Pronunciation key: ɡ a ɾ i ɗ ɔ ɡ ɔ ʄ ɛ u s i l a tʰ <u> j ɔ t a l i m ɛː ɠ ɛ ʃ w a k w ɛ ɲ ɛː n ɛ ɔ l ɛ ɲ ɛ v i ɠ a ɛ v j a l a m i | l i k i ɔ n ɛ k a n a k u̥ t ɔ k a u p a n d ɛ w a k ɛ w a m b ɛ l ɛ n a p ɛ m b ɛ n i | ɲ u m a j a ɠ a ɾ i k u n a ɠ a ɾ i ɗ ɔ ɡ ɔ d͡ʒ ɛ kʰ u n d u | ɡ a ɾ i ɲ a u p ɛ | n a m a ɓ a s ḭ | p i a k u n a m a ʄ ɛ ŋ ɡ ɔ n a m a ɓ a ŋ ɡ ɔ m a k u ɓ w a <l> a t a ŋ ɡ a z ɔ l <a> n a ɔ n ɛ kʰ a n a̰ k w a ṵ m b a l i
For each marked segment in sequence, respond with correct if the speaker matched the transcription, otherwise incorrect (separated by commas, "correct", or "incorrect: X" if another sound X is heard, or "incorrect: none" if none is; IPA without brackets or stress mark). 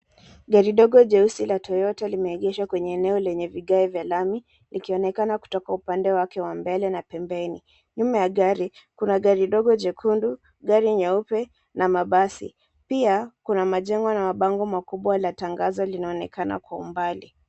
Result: incorrect: ɔ, correct, incorrect: i